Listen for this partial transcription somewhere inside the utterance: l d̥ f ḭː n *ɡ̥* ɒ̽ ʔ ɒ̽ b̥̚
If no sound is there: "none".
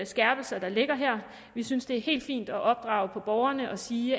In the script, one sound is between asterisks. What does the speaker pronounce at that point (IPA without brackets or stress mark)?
d̥